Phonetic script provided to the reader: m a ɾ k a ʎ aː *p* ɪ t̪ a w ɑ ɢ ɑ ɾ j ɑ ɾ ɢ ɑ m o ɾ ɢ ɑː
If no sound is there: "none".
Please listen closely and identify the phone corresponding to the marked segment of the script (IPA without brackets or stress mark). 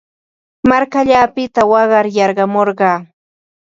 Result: p